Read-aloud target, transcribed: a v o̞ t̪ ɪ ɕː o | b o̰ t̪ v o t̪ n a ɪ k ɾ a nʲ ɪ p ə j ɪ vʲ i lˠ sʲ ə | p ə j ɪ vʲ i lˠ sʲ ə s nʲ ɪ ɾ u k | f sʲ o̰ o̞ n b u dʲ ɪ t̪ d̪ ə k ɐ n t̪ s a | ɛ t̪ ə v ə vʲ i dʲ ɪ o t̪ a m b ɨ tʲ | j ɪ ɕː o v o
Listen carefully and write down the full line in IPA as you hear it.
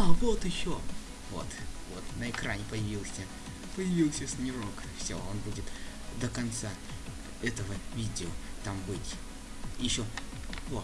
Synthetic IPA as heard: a v o̞ t̪ ɪ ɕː o | v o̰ t̪ v o t̪ n ə ɪ k ɾ a nʲ ɪ p ə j ɪ vʲ i lˠ sʲ ə | p ə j ɪ vʲ i lˠ sʲ ə s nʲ ɪ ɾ o k | f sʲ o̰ o̞ n b u dʲ ɪ t̪ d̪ ə k ɐ n t̪ s a | ɛ t̪ ə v ə vʲ i dʲ ɪ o t̪ a m b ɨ tʲ | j ɪ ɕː o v o

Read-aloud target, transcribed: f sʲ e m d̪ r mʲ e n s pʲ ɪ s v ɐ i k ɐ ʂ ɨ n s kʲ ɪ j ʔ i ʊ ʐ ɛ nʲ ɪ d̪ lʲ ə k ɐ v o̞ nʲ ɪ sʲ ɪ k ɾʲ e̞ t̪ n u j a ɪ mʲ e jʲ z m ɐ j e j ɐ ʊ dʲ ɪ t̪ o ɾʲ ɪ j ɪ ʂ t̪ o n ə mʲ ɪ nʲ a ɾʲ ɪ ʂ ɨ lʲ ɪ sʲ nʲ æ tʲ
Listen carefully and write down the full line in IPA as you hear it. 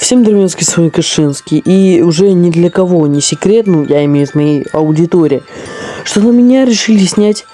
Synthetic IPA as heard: f sʲ e m d̪ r mʲ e n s kʲ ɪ s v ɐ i k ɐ ʂ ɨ n s kʲ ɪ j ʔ i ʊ ʐ ɛ nʲ ɪ d̪ lʲ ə k ɐ v o̞ nʲ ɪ sʲ ɪ k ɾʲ e̞ t̪ n u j a ɪ mʲ e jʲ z m ɐ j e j ɐ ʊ dʲ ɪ t̪ o ɾʲ ɪ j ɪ ʂ t̪ o n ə mʲ ɪ nʲ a ɾʲ ɪ ʂ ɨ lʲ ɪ sʲ nʲ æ tʲ

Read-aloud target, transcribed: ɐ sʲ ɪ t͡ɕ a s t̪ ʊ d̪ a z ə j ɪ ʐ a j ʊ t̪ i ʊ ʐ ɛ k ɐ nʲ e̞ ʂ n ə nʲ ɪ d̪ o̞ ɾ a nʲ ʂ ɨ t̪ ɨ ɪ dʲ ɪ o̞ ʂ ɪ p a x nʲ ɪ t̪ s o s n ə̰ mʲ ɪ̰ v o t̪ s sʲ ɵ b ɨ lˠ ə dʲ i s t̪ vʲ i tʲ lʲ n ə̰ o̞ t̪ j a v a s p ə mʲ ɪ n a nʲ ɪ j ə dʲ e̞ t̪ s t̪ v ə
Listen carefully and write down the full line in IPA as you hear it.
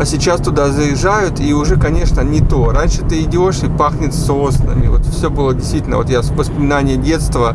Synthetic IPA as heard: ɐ sʲ ɪ t͡ɕ a s t̪ ʊ d̪ a z ə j ɪ ʐ a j ʊ t̪ i ʊ ʐ ɛ k ɐ nʲ e̞ ʂ n ə nʲ ɪ t̪ o̞ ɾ a nʲ ʂ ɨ t̪ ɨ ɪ dʲ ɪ o̞ ʂ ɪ p a x nʲ ɪ t̪ s o s n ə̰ mʲ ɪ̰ v o t̪ f sʲ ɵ b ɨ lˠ ə dʲ ɪ s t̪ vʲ i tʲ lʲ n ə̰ o̞ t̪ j a v ə s p ə mʲ ɪ n a nʲ ɪ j ə dʲ e̞ t̪ s t̪ v ə

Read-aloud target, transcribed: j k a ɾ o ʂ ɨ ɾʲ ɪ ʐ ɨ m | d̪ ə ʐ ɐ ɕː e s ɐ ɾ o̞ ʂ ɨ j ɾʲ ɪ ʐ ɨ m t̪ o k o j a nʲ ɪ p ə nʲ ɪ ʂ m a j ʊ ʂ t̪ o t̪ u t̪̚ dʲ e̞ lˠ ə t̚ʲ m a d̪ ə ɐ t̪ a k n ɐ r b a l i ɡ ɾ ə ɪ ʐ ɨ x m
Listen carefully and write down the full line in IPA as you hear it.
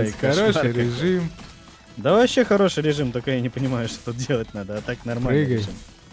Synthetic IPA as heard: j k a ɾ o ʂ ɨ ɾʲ ɪ ʐ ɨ m | d̪ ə v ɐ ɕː e x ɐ ɾ o̞ ʂ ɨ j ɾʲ ɪ ʐ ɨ m t̪ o k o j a nʲ ɪ p ə nʲ ɪ m a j ʊ ʂ t̪ o t̪ u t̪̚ dʲ e̞ lˠ ə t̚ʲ n a d̪ ə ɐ t̪ a k n ɐ r m a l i ɡ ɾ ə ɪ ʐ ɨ m

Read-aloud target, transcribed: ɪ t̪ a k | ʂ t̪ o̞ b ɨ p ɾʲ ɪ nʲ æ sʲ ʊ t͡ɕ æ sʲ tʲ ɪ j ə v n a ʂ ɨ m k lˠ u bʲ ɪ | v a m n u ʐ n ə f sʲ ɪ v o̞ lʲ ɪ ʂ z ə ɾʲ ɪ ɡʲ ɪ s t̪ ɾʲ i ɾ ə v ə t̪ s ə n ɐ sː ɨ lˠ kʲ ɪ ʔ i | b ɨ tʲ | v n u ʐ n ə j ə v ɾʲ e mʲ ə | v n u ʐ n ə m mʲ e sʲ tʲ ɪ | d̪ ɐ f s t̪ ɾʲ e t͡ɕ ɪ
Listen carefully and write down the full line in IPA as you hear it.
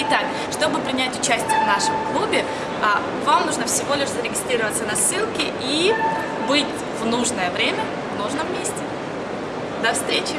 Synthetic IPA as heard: ɪ t̪ a k | ʂ t̪ o̞ b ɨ p ɾʲ ɪ nʲ æ tʲ ʊ t͡ɕ æ sʲ tʲ ɪ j ə v n a ʂ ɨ m k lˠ u bʲ ɪ | v a m n u ʐ n ə f sʲ ɪ v o̞ lʲ ɪ ʂ z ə ɾʲ ɪ ɡʲ ɪ s t̪ ɾʲ i ɾ ə v ə t̪ s ə n ɐ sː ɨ lˠ kʲ ɪ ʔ i | b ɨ tʲ | v n u ʐ n ə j ə v ɾʲ e mʲ ə | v n u ʐ n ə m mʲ e sʲ tʲ ɪ | d̪ ɐ f s t̪ ɾʲ e t͡ɕ ɪ

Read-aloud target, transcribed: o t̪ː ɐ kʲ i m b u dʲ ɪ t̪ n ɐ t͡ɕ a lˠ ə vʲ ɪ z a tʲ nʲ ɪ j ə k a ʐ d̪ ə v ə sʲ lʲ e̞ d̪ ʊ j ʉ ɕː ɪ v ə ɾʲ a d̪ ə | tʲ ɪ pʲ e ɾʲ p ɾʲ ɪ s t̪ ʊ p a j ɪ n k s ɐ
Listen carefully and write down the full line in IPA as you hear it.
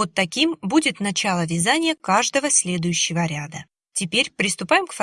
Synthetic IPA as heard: o t̪ː ɐ kʲ i m b u dʲ ɪ t̪ n ɐ t͡ɕ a lˠ ə vʲ ɪ z a nʲ ɪ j ə k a ʐ d̪ ə v ə sʲ lʲ e̞ d̪ ʊ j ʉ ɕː ɪ v ə ɾʲ a d̪ ə | tʲ ɪ pʲ e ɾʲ p ɾʲ ɪ s t̪ ʊ p a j ɪ m k f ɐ

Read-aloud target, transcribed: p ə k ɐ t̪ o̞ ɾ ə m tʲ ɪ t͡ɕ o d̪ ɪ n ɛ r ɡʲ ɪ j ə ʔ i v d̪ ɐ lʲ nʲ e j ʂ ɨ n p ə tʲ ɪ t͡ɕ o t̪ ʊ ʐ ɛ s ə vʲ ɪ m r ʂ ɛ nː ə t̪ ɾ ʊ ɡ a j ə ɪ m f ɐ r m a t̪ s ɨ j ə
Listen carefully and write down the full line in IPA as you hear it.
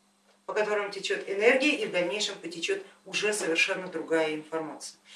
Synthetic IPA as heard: p ə k ɐ t̪ o̞ ɾ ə m tʲ ɪ t͡ɕ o t̪ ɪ n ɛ r ɡʲ ɪ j ə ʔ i v d̪ ɐ lʲ nʲ e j ʂ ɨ m p ə tʲ ɪ t͡ɕ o t̪ ʊ ʐ ɛ s ə vʲ ɪ r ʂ ɛ nː ə d̪ ɾ ʊ ɡ a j ə ɪ n f ɐ r m a t̪ s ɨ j ə

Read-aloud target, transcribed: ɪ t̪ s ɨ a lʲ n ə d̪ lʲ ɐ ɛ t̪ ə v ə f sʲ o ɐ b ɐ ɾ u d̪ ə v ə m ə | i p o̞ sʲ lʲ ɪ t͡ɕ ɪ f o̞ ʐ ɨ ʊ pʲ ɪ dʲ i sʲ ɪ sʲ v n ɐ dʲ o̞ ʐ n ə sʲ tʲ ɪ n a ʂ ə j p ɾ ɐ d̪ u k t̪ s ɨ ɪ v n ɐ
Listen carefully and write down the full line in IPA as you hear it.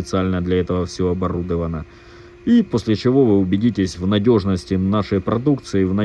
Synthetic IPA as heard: ɪ t̪ s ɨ a lʲ n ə d̪ lʲ ɐ ɛ t̪ ə v ə f sʲ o ɐ b ɐ ɾ u d̪ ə v ə n ə | i p o̞ sʲ lʲ ɪ t͡ɕ ɪ v o̞ v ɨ ʊ bʲ ɪ dʲ i tʲ ɪ sʲ v n ɐ dʲ o̞ ʐ n ə sʲ tʲ ɪ n a ʂ ə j p ɾ ɐ d̪ u k t̪ s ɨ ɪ v n ɐ

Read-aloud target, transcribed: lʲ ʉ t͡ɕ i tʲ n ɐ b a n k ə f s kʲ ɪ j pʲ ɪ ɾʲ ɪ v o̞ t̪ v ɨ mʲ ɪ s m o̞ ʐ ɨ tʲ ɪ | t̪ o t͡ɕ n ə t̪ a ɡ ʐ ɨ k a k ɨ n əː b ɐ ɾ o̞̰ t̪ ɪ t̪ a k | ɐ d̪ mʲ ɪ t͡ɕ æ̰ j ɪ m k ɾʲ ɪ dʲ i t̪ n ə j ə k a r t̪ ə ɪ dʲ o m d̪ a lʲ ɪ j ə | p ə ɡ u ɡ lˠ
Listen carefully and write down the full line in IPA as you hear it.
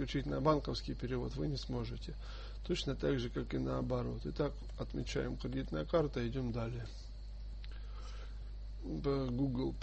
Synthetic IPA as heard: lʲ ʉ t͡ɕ i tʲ n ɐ b a n k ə f s kʲ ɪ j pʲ ɪ ɾʲ ɪ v o̞ t̪ v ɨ nʲ ɪ s m o̞ ʐ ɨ tʲ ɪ | t̪ o t͡ɕ n ə t̪ a ɡ ʐ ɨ k a k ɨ n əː b ɐ ɾ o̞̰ t̪ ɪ t̪ a k | ɐ t̪ mʲ ɪ t͡ɕ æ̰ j ɪ m k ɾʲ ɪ dʲ i t̪ n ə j ə k a r t̪ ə ɪ dʲ o m d̪ a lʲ ɪ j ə | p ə ɡ u ɡ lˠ

